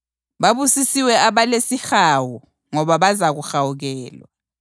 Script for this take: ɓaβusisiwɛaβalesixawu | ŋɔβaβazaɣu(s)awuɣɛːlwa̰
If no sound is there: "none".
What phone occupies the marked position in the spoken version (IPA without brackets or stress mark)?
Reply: x